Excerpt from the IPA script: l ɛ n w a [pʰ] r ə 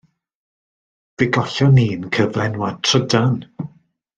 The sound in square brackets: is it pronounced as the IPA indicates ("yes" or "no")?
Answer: no